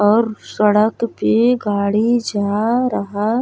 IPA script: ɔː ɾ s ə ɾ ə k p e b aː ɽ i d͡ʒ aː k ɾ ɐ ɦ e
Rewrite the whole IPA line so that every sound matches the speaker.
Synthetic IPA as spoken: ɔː ɾ s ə ɽ ə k p e ɡ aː ɽ i d͡ʒ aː ɾ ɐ ɦ a